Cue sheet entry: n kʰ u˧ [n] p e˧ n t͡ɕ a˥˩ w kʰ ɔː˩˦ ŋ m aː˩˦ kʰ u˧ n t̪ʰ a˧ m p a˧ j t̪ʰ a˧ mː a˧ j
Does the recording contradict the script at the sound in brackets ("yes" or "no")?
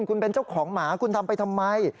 no